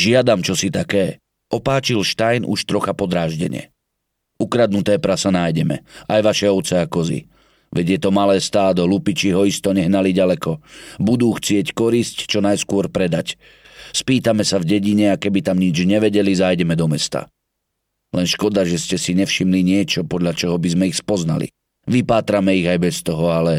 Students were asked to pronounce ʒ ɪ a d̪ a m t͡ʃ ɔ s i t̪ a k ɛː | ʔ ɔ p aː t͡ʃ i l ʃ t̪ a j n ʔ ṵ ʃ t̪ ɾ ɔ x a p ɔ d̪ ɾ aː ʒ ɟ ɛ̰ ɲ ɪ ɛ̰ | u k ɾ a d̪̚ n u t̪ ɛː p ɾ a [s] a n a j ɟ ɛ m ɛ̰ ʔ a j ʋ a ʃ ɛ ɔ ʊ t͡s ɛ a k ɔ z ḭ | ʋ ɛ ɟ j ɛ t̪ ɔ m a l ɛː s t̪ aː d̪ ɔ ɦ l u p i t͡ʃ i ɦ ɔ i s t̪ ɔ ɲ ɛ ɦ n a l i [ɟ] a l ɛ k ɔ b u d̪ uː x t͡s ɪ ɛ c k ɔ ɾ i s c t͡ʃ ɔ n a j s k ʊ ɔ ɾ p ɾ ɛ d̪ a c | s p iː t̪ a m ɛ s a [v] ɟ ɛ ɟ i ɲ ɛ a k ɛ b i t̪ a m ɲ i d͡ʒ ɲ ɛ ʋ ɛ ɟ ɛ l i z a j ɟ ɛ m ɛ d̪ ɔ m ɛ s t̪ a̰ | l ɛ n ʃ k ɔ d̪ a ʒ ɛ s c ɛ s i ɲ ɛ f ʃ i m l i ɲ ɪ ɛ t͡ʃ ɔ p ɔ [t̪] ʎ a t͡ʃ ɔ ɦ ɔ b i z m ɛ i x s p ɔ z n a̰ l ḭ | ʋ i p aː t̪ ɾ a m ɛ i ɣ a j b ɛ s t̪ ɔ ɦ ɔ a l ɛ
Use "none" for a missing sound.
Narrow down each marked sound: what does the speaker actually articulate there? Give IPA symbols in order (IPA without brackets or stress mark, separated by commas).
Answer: s, ɟ, v, d̪